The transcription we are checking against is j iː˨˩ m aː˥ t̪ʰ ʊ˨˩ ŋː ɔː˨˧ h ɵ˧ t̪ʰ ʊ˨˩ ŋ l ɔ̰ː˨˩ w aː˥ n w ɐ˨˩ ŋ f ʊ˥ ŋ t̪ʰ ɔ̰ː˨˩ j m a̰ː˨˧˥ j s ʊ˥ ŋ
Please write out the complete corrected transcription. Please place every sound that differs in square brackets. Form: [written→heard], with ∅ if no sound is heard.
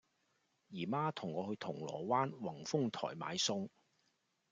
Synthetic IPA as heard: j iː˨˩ m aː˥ t̪ʰ ʊ˨˩ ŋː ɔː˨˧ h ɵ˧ t̪ʰ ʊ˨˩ ŋ l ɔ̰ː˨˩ w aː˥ n w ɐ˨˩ ŋ f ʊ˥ ŋ t̪ʰ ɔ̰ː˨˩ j m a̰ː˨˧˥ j s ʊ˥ ŋ